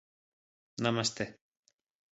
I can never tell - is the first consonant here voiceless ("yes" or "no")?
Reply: no